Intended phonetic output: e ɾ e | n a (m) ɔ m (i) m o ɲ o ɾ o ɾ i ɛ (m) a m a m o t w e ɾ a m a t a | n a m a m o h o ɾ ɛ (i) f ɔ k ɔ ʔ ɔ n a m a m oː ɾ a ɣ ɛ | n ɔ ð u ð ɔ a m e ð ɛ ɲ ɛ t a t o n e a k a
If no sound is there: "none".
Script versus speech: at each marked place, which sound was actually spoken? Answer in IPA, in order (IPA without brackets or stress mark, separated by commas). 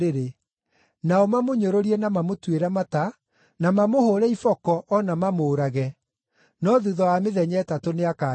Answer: none, a, n, i